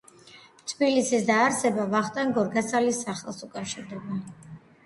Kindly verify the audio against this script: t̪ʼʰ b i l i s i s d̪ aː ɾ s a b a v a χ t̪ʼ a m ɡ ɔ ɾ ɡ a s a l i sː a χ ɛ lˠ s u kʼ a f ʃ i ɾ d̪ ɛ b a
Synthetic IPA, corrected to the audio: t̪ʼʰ b i l i s i s d̪ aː ɾ s ɛ b a v a χ t̪ʼ a ŋ ɡ ɔ ɾ ɡ a s a l i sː a χ ɛ lˠ s u kʼ a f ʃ i ɾ d̪ ɛ b a